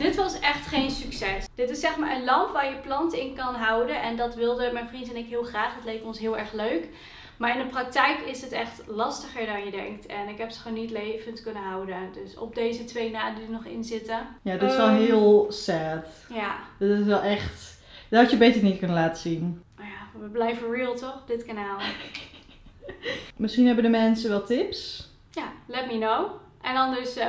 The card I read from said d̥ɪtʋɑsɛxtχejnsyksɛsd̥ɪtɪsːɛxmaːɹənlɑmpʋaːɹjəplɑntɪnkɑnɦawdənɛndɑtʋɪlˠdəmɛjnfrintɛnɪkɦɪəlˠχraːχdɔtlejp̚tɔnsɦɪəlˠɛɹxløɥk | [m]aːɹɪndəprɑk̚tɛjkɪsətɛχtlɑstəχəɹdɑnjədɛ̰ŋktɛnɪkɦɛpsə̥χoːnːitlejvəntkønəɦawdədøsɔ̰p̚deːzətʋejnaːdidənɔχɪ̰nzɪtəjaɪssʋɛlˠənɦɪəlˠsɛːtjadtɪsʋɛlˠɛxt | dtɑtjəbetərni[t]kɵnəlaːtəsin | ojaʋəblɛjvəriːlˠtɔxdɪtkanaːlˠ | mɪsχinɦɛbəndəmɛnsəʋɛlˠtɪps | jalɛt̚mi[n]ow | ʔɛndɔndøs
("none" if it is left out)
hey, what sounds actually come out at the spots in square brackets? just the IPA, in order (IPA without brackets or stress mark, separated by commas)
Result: m, t, n